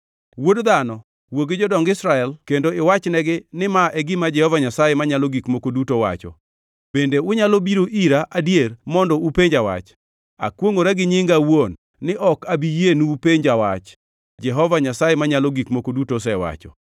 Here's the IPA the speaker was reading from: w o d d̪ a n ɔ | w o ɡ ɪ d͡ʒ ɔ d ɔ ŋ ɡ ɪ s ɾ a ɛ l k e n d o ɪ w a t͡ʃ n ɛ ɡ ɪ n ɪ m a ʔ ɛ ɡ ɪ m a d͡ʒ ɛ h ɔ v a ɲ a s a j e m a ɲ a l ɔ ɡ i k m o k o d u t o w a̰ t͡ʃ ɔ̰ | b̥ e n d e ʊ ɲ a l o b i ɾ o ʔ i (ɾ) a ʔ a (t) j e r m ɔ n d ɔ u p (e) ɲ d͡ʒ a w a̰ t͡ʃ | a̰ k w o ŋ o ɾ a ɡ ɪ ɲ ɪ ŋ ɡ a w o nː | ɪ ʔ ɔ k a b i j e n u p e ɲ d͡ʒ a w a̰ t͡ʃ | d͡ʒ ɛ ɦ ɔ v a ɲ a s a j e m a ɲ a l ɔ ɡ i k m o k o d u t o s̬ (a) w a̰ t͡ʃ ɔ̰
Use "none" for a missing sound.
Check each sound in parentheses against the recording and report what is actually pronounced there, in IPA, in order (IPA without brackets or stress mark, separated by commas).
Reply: ɾ, d, e, ɛ